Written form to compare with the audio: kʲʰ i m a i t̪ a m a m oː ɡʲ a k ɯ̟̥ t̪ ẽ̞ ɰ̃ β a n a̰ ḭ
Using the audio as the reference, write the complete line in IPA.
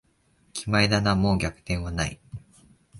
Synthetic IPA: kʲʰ i m a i d̪ a n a m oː ɡʲ a k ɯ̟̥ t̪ ẽ̞ ɰ̃ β a n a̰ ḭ